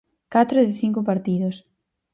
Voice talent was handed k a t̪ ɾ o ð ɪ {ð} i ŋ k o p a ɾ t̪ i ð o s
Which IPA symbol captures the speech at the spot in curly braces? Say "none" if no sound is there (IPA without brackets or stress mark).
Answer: θ